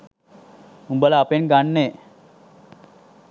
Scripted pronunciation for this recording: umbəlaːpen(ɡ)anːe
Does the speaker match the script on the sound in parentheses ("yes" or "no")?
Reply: yes